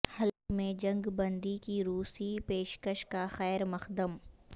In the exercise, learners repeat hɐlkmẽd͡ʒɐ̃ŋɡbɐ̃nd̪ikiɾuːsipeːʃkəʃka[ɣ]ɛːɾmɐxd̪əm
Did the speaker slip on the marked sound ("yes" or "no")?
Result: yes